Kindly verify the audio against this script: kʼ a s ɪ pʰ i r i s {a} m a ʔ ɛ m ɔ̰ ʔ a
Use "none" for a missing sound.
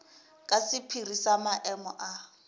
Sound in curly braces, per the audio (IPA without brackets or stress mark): a